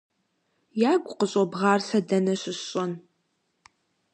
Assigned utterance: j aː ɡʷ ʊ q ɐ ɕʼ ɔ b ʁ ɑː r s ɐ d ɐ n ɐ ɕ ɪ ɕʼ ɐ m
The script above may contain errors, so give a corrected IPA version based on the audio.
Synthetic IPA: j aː ɡʷ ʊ q ə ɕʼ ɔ b ʁ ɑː r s ɐ d ɐ n ɐ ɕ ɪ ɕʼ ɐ n

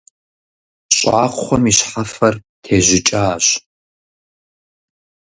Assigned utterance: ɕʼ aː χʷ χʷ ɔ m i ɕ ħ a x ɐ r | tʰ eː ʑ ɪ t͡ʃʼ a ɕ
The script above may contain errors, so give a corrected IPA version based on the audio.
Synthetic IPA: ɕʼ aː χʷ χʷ ɔ m i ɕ ħ a f ɐ r | tʰ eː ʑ ɪ t͡ʃʼ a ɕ

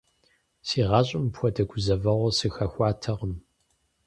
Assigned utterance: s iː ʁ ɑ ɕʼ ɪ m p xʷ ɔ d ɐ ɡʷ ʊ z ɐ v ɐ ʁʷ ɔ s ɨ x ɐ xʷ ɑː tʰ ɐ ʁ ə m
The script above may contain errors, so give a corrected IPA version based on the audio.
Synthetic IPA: s iː ʁ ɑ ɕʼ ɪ m p xʷ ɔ d ɐ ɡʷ ʊ z ɐ v ɐ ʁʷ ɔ s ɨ x ɐ xʷ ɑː tʰ ɐ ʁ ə m

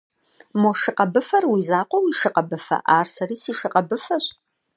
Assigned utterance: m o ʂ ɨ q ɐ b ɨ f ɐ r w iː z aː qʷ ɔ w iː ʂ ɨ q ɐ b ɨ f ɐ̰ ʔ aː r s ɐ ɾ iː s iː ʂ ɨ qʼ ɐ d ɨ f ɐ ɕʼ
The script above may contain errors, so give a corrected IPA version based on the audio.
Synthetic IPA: m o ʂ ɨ q ɐ b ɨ f ɐ r w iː z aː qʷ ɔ w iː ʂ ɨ q ɐ b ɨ f ɐ̰ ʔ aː r s ɐ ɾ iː s iː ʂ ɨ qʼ ɐ b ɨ f ɐ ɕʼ

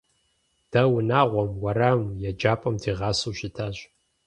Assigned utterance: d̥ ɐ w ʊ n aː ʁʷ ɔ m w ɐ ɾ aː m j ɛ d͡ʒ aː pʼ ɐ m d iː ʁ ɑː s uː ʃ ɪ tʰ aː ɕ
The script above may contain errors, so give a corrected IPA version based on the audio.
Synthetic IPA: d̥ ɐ w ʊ n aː ʁʷ ɔ m w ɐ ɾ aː m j ɛ d͡ʒ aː pʼ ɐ m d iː ʁ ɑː s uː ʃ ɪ tʰ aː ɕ

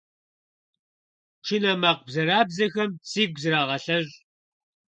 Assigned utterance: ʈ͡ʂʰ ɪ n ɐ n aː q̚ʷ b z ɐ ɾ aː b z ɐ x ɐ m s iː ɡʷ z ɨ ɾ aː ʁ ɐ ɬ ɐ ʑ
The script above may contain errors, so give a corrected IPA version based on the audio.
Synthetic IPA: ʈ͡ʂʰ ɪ n ɐ m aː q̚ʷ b z ɐ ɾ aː b z ɐ x ɐ m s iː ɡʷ z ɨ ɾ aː ʁ ɐ ɬ ɐ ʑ

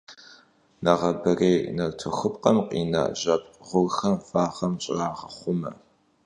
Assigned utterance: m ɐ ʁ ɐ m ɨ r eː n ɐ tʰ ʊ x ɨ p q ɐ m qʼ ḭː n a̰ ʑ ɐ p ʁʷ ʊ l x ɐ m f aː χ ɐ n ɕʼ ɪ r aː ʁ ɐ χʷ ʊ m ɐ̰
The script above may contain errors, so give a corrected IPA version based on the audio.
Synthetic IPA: n ɐ ʁ ɐ b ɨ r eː n ɐ tʰ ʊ x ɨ p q ɐ m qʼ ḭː n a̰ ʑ ɐ p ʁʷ ʊ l x ɐ m f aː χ ɐ m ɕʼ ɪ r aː ʁ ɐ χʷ ʊ m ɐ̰

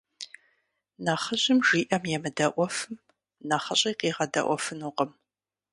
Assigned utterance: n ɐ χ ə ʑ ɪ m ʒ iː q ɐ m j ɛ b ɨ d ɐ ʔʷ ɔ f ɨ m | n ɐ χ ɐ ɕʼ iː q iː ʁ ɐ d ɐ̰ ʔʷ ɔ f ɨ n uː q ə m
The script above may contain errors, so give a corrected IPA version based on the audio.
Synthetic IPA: n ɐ χ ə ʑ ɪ m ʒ iː ʔ ɐ m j ɛ m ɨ d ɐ ʔʷ ɔ f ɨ m | n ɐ χ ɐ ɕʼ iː q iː ʁ ɐ d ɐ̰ ʔʷ ɔ f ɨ n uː q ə m

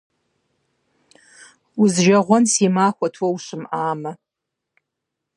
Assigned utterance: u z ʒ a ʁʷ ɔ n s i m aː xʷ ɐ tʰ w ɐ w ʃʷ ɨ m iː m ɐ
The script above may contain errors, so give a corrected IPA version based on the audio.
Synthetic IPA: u z ʒ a ʁʷ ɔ n s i m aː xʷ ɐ tʰ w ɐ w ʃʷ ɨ m aː m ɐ

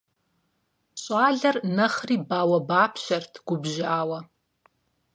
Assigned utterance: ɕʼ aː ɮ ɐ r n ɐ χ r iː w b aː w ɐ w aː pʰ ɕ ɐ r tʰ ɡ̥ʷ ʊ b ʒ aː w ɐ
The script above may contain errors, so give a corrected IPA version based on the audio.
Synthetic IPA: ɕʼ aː ɮ ɐ r n ɐ χ r iː b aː w ɐ b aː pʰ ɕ ɐ r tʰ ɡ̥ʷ ʊ b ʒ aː w ɐ

